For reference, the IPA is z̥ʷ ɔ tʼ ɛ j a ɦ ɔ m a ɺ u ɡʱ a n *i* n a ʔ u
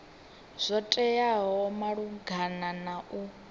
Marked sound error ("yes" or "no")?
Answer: yes